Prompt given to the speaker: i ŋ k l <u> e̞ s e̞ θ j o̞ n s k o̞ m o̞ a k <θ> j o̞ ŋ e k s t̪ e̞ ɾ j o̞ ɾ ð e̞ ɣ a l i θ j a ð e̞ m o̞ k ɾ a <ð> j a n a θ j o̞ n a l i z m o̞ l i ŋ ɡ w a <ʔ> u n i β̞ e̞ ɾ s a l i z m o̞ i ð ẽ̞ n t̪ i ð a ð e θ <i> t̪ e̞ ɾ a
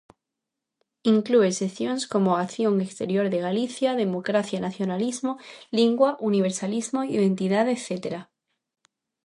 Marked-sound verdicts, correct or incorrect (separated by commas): correct, correct, incorrect, correct, incorrect